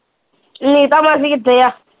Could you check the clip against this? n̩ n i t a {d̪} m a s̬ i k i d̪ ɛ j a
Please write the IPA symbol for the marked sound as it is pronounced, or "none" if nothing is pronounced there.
none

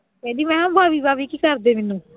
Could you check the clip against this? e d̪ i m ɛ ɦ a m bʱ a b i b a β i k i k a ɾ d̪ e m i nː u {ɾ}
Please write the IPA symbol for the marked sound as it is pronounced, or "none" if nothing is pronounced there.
none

